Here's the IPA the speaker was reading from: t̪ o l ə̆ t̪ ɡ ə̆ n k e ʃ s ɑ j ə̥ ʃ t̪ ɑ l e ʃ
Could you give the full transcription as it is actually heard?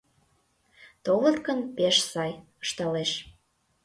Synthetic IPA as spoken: t̪ o l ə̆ t̪ k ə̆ n p e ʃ s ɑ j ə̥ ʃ t̪ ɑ l e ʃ